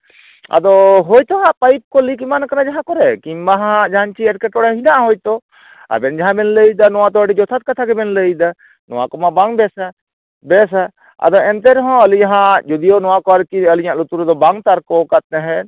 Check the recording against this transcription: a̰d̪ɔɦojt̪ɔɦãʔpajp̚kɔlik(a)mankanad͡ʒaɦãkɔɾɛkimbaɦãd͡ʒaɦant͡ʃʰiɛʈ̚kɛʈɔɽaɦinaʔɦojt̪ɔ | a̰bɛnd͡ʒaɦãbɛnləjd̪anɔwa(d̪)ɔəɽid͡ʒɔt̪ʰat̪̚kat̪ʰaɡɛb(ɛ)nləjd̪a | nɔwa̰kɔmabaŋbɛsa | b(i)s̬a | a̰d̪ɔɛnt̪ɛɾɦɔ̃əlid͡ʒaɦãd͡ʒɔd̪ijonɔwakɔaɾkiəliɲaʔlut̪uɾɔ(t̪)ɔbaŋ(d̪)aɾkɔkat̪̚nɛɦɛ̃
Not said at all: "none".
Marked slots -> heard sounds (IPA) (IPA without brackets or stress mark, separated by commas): i, t̪, ɛ, ɛ, d̪, t̪